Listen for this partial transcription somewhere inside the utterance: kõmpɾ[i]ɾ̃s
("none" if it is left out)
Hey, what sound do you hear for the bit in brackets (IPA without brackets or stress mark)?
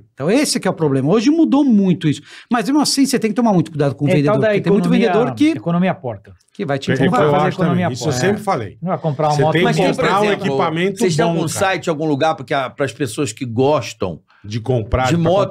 a